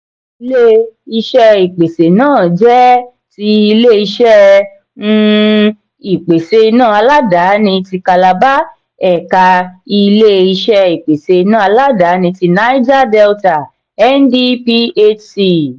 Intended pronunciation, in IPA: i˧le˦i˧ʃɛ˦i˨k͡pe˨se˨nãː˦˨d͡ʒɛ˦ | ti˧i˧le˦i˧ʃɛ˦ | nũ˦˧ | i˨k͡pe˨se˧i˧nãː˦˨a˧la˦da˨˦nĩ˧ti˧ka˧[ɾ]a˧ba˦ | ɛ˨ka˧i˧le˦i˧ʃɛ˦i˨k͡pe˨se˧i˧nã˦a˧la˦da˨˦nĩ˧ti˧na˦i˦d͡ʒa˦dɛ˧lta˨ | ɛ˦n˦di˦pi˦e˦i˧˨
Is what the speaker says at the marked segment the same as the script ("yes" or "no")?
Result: no